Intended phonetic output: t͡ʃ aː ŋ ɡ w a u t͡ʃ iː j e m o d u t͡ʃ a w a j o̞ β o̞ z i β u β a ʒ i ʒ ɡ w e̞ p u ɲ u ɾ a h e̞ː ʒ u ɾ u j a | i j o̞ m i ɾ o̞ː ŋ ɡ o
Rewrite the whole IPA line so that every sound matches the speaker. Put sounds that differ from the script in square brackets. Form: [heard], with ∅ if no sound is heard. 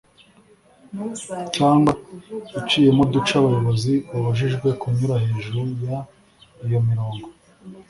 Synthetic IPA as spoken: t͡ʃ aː ŋ ɡ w a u t͡ʃ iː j e m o d u t͡ʃ a [β] a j o̞ β o̞ z i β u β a ʒ i ʒ ɡ w e̞ [k] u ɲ u ɾ a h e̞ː ʒ u ɾ u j a | i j o̞ m i ɾ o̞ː ŋ ɡ o

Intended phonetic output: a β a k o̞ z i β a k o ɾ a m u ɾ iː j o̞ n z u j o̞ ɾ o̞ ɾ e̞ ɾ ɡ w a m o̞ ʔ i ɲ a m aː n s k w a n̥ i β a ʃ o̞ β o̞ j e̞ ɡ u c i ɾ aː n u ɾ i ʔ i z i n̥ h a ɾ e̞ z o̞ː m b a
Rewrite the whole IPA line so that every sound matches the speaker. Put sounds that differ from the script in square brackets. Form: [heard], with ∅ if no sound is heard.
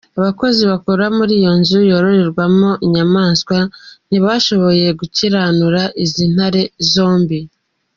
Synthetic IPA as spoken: a β a k o̞ z i β a k o ɾ a m u ɾ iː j o̞ n z u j o̞ ɾ o̞ ɾ e̞ ɾ ɡ w a m o̞ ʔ i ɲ a m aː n s k w a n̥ i β a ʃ o̞ β o̞ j e̞ ɡ u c i ɾ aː n u ɾ [a] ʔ i z i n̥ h a ɾ e̞ z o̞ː m b [i]

